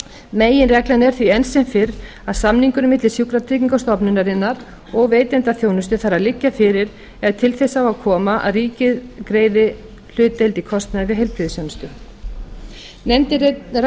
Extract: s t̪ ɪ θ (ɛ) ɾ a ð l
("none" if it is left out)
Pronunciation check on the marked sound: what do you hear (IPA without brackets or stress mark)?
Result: a